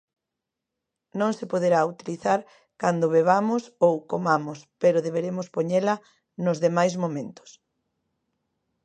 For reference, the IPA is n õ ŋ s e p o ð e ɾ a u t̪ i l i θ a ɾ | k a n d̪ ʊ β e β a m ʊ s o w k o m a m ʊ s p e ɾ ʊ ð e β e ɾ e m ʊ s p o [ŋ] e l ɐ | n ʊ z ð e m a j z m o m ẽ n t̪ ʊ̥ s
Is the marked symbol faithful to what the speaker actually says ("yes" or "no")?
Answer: no